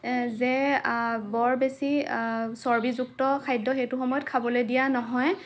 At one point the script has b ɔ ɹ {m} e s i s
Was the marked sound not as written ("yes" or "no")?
yes